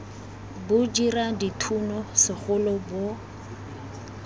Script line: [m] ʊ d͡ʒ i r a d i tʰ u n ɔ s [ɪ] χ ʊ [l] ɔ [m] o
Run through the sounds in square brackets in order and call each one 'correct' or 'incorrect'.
incorrect, correct, correct, incorrect

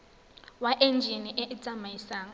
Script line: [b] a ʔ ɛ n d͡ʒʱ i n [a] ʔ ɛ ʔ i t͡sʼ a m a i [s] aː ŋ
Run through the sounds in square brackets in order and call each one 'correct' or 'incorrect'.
incorrect, incorrect, correct

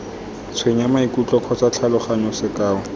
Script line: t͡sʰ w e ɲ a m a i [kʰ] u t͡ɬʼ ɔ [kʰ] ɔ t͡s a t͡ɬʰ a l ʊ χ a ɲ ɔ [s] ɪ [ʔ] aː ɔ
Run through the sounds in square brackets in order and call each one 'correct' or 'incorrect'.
incorrect, correct, correct, incorrect

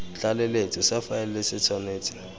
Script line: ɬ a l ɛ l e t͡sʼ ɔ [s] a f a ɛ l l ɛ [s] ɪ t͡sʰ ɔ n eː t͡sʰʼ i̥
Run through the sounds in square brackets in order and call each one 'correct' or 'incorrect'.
correct, correct

